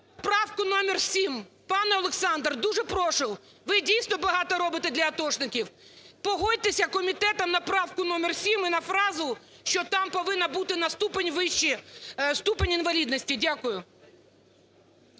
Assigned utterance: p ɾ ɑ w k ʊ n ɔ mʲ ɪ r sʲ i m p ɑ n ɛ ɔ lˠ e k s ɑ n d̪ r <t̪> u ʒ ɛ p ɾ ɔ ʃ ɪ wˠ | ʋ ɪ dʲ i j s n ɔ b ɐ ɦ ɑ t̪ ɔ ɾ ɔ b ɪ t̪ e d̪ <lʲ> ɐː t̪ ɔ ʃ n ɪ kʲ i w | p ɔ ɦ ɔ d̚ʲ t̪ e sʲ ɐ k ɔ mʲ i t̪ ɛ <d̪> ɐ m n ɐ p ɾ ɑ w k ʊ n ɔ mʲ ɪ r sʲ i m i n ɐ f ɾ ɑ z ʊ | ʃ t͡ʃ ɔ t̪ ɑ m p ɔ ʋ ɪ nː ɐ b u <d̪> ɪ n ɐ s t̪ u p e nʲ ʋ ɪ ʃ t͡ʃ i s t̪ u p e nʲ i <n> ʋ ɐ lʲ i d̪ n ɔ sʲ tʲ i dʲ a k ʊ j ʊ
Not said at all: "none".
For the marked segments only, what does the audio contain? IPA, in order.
d̪, lʲ, t̪, t̪, n

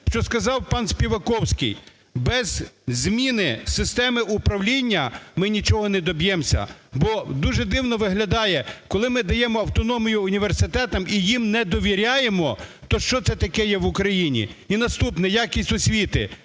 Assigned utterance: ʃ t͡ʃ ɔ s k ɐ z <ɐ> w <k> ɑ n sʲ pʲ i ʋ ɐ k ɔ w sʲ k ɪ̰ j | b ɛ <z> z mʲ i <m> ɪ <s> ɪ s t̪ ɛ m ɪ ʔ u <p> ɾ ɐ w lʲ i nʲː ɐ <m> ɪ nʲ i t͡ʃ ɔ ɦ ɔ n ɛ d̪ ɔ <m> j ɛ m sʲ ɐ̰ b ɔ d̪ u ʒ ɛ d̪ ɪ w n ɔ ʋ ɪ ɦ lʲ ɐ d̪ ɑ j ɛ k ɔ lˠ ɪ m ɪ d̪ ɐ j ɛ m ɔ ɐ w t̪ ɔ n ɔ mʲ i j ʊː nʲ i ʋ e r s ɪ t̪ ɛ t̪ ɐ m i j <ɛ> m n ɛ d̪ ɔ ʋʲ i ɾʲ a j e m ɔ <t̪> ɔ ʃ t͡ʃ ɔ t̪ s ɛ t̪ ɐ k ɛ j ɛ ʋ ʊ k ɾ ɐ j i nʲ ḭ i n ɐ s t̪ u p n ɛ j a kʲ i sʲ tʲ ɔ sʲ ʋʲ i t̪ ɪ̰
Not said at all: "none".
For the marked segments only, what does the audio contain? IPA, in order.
ɑ, p, z, n, s, p, m, b, i, t̪

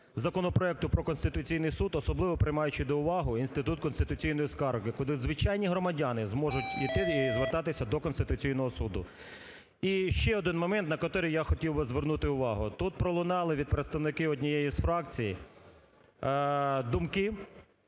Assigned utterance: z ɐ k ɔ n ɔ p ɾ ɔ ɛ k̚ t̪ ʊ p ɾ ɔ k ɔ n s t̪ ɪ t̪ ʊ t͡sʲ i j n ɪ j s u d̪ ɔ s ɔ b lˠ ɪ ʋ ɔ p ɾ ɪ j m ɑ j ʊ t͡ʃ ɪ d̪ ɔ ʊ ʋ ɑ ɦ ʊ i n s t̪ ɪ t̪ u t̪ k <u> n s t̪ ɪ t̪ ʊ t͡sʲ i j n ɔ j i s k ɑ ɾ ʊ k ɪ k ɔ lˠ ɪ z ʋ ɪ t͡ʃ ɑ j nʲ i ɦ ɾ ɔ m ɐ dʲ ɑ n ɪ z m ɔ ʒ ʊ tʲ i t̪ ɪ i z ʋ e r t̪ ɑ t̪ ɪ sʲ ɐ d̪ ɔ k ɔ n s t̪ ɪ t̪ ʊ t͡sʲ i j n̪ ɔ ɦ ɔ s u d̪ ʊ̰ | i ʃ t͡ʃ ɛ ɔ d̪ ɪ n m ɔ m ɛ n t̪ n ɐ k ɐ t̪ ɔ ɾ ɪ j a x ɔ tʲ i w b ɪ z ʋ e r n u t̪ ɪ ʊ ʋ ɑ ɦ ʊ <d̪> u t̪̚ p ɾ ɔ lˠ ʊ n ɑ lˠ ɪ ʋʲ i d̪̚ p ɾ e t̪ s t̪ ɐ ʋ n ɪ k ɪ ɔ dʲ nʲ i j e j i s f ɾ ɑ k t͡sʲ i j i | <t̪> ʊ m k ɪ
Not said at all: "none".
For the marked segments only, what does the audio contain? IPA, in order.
ɔ, t̪, d̪

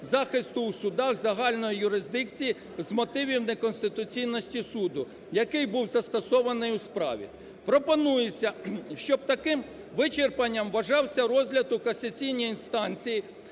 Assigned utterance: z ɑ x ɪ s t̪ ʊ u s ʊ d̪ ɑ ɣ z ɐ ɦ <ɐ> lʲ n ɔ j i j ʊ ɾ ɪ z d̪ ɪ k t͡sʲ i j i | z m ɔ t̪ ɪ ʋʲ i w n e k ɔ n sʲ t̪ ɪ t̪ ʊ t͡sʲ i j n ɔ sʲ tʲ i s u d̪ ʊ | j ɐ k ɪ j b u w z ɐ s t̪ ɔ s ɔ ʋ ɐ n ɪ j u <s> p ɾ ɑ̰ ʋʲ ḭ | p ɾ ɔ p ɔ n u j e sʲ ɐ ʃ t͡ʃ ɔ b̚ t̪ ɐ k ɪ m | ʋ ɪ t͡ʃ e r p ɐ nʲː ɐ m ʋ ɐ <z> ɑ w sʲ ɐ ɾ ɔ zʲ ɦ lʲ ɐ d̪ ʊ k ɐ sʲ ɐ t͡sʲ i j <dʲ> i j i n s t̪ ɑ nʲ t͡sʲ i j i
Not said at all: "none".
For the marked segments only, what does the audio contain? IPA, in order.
ɑ, s, ʒ, nʲ

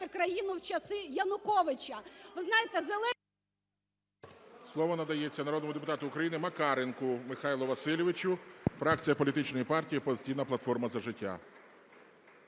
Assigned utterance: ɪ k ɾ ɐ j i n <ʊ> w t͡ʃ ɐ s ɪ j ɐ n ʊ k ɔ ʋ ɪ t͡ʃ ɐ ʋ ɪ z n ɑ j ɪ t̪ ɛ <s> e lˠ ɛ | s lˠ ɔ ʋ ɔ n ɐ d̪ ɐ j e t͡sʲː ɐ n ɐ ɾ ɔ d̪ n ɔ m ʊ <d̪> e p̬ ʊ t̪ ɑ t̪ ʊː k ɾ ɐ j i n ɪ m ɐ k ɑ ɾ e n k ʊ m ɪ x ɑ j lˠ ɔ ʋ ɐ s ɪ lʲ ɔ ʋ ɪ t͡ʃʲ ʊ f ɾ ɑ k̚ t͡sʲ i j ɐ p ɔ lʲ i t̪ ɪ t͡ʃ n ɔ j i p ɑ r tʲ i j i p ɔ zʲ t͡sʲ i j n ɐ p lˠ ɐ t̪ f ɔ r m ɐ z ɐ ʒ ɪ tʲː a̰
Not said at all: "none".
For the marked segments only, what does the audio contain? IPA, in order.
ʊ, z, d̪

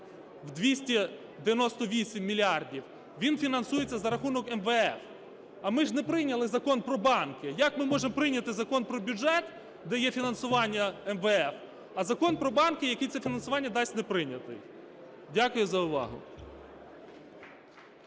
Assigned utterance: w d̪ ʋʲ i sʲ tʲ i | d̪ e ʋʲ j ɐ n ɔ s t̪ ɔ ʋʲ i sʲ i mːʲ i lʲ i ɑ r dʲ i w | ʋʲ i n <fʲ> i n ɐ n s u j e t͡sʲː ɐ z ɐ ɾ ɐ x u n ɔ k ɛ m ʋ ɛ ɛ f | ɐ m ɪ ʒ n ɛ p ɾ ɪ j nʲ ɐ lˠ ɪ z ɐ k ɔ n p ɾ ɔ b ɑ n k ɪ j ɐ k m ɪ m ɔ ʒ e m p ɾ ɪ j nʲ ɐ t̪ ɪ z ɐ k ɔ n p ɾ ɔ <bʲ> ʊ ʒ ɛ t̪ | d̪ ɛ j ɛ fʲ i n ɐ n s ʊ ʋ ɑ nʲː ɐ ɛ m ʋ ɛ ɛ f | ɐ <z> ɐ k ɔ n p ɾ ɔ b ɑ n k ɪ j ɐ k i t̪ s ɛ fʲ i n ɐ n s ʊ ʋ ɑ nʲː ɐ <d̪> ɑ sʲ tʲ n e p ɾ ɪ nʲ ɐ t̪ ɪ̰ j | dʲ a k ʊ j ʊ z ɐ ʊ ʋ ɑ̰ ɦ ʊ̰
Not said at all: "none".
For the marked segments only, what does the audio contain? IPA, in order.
fʲ, bʲ, z, d̪

